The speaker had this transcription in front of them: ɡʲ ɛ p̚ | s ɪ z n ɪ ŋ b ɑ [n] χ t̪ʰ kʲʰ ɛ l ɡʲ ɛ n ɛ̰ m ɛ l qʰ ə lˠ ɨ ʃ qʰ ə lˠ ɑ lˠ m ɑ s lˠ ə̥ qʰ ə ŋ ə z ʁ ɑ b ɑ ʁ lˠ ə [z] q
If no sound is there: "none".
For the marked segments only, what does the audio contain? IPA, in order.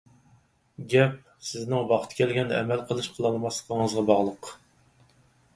none, none

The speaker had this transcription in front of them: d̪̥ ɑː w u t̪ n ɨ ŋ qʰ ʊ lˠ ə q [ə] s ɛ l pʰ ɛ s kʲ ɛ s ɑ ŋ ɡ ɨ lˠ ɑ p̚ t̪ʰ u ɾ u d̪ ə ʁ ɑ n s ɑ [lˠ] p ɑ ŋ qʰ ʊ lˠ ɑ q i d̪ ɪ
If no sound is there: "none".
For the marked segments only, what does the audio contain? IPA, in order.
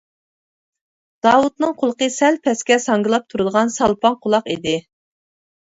ə, lˠ

